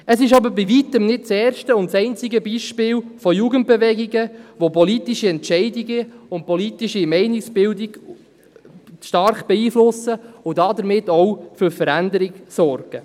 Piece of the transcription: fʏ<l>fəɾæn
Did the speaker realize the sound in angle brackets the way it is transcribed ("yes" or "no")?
no